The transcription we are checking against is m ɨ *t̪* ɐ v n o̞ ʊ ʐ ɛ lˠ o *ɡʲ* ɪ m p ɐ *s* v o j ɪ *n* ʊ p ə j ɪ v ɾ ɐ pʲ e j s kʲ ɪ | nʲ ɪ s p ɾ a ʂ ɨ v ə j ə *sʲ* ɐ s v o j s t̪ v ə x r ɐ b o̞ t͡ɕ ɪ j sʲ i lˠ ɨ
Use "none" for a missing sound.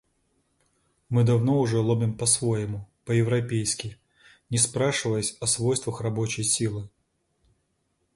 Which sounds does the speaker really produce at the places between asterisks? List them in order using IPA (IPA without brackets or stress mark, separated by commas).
d̪, bʲ, s, m, sʲ